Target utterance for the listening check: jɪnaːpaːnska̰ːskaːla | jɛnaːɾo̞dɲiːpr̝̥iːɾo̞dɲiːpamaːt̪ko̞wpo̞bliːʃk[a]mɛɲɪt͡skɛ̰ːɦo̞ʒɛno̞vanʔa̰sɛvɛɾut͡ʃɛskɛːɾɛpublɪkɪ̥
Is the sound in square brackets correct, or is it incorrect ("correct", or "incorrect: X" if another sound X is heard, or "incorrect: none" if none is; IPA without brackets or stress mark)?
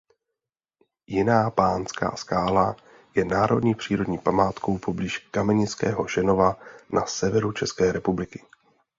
correct